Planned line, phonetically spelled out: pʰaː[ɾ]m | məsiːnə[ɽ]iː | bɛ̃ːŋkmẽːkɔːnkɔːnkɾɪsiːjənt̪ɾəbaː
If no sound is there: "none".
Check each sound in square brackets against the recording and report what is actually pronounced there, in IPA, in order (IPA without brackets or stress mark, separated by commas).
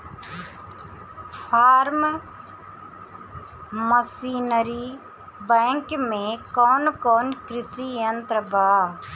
ɾ, ɾ